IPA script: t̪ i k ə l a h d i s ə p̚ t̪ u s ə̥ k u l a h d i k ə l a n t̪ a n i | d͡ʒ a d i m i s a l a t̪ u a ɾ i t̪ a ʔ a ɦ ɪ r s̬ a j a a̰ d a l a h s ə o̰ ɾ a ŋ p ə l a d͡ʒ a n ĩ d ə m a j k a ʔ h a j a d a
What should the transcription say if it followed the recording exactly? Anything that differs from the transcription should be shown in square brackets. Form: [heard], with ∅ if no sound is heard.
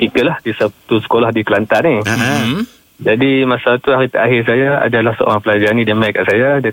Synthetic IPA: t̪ i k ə l a h d i s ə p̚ t̪ u s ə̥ k [o] l a h d i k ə l a n t̪ a n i | d͡ʒ a d i m [a] s a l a t̪ u a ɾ i t̪ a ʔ a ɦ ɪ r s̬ a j a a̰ d a l a h s ə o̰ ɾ a ŋ p ə l a d͡ʒ a n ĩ d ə m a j k a ʔ [s] a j a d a